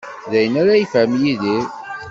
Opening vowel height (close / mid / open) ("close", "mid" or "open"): open